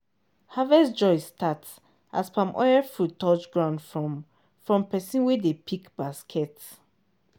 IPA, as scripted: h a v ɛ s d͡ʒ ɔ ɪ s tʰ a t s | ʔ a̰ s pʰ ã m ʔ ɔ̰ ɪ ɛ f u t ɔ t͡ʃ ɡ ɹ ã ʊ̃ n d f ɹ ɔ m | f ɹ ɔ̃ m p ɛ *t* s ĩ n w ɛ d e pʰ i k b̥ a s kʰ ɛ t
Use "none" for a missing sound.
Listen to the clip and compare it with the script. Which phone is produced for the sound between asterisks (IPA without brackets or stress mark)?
none